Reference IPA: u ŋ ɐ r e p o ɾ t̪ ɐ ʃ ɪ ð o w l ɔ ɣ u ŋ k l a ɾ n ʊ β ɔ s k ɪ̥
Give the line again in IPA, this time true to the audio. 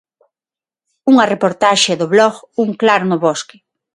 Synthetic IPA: u ŋ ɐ r e p o ɾ t̪ a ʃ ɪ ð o β l ɔ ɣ u ŋ k l a ɾ n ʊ β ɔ s k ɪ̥